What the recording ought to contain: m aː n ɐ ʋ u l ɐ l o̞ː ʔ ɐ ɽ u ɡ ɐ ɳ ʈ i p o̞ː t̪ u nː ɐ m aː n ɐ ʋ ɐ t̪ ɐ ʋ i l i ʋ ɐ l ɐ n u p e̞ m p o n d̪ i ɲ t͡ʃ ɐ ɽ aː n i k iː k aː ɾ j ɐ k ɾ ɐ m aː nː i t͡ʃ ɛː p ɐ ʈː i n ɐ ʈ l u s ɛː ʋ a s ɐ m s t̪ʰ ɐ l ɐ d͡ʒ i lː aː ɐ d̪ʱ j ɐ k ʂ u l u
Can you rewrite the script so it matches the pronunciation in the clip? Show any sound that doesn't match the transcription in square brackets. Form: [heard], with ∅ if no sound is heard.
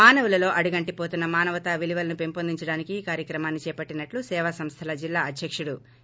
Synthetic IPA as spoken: m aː n ɐ ʋ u l ɐ l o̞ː ʔ ɐ ɽ u ɡ ɐ ɳ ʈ i p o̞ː t̪ u nː ɐ m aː n ɐ ʋ ɐ t̪ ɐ ʋ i l i ʋ ɐ l ɐ n u p e̞ m p o n d̪ i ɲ t͡ʃ ɐ ɽ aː n i k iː k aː ɾ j ɐ k ɾ ɐ m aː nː i t͡ʃ ɛː p ɐ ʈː i n ɐ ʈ l u s ɛː ʋ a s ɐ m s t̪ʰ ɐ l ɐ d͡ʒ i lː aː ɐ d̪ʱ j ɐ k ʂ u [ɽ] u